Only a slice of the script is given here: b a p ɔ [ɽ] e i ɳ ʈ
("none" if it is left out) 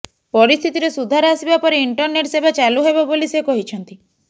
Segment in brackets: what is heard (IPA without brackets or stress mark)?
ɾ